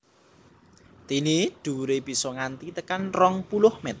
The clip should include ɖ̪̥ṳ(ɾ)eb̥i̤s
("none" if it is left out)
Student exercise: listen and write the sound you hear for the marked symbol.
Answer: ɾ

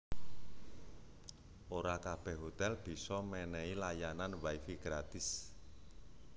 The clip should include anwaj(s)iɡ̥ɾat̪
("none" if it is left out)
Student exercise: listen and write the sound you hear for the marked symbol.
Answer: f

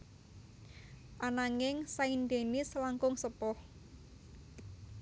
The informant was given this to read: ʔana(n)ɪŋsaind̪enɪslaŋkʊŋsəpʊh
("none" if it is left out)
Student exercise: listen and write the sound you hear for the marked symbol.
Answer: ŋ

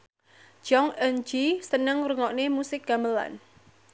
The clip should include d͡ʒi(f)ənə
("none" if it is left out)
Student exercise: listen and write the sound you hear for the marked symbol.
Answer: s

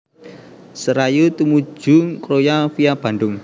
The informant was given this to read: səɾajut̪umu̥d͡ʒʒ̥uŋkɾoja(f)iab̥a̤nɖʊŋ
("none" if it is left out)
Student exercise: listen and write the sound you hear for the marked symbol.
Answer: f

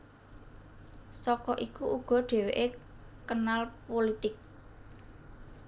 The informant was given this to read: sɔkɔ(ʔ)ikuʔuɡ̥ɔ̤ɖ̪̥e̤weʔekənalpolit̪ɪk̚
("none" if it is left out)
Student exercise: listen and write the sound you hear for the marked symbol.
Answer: ʔ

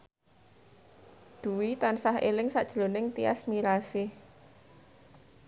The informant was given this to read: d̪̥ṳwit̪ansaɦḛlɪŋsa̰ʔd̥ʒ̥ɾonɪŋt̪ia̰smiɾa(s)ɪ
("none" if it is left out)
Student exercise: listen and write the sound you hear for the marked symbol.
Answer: s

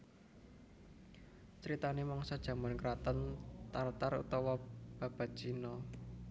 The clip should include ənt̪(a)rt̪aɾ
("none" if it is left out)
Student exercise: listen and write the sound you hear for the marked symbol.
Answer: a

